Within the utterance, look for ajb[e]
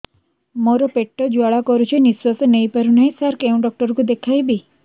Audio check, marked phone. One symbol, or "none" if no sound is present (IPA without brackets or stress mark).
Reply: i